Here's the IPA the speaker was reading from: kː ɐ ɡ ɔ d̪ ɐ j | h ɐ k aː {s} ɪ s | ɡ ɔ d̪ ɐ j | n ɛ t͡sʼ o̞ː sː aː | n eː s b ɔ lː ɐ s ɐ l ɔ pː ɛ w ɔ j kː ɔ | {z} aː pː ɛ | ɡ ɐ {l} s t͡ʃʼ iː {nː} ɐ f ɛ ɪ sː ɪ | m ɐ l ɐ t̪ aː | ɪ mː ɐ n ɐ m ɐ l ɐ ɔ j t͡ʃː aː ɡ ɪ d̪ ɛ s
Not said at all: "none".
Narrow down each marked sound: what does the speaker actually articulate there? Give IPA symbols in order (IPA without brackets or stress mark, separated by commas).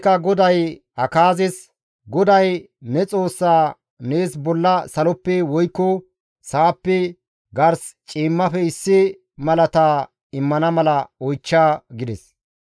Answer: z, s, ɾ, mː